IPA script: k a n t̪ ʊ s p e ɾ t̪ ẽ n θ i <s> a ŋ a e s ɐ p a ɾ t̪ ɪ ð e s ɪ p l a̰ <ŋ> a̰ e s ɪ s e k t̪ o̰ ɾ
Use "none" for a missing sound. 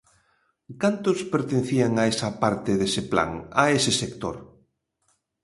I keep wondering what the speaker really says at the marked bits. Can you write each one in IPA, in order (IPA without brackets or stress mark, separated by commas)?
none, ŋ